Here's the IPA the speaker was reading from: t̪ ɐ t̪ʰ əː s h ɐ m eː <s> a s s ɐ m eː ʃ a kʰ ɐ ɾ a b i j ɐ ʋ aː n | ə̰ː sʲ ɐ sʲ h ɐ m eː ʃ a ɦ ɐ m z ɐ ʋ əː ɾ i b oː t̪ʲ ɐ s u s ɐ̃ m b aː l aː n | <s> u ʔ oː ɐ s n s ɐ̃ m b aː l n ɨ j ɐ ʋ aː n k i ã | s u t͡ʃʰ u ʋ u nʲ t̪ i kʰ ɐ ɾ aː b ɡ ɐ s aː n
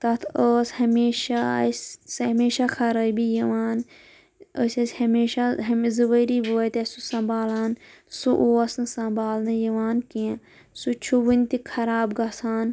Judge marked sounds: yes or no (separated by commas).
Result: no, yes